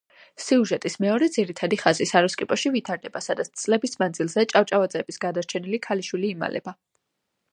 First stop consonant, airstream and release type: ejective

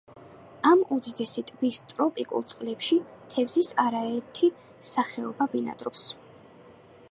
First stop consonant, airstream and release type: plain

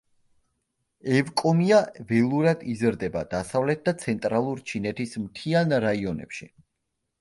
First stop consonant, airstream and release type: ejective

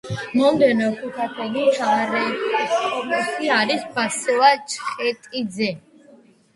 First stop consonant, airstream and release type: plain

